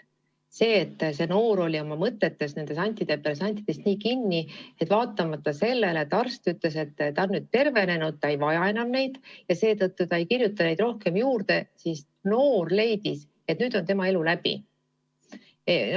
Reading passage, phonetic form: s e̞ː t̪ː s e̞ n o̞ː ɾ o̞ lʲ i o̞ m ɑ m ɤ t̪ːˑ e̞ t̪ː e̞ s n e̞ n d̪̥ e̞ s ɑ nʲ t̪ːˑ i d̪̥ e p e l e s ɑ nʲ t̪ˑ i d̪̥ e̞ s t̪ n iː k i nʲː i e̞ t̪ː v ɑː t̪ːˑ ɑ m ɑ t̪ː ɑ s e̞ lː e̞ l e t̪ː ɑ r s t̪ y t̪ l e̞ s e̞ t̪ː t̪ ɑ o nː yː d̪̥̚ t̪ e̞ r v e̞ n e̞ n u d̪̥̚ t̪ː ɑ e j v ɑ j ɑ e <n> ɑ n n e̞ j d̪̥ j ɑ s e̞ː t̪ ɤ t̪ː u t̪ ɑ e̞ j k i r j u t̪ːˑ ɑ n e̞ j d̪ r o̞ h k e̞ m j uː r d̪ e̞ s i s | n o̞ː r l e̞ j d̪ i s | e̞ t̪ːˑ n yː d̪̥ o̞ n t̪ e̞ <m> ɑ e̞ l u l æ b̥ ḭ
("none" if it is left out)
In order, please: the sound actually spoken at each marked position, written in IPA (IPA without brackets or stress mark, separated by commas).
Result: n, m